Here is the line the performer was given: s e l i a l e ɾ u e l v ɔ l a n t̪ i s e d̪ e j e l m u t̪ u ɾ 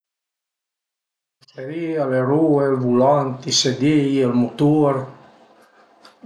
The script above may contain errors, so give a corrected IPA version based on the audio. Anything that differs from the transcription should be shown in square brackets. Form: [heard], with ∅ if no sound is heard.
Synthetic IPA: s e [ɾ] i a l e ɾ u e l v [u] l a n t̪ i s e d̪ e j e l m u t̪ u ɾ